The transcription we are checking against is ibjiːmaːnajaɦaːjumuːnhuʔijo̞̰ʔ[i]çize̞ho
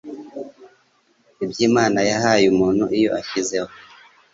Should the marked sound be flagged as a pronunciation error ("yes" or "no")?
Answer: yes